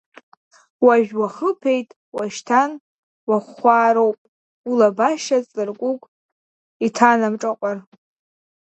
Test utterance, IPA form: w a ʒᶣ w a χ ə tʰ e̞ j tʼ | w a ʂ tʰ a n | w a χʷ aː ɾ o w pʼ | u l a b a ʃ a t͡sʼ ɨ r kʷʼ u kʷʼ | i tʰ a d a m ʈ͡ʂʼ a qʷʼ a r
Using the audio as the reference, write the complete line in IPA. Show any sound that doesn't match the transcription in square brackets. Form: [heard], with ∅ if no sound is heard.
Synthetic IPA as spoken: w a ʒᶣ w a χ ə [pʰ] e̞ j tʼ | w a [ʃ] tʰ a n | w a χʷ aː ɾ o w pʼ | u l a b a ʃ a t͡sʼ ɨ r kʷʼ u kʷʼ | i tʰ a [n] a m ʈ͡ʂʼ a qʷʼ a r